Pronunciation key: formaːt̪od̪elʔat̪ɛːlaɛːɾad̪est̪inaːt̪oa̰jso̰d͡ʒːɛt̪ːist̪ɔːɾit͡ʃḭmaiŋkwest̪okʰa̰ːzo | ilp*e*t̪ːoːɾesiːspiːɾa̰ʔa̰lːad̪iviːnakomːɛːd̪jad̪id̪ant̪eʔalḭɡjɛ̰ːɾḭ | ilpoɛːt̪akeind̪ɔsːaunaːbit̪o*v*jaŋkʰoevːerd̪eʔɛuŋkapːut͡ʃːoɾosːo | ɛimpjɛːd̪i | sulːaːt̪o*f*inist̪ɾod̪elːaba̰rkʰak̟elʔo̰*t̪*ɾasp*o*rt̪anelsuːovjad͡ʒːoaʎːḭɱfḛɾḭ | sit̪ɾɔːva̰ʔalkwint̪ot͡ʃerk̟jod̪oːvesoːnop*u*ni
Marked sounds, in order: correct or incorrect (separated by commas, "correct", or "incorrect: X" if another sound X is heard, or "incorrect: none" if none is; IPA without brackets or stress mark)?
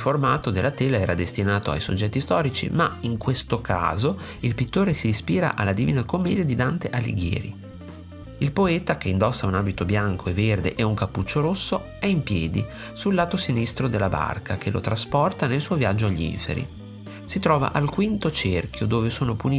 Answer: incorrect: i, incorrect: b, incorrect: s, correct, incorrect: ɔ, correct